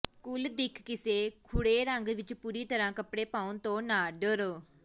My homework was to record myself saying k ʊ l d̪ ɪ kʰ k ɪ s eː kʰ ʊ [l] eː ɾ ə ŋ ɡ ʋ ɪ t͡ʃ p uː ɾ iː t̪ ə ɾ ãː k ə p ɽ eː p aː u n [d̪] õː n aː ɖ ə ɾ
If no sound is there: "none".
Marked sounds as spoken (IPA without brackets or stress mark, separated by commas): ɽ, t̪